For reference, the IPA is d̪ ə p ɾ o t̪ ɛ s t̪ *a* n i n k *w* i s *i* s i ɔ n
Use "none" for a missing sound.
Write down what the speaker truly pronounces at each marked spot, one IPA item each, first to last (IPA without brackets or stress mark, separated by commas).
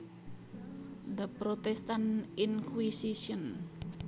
a, w, i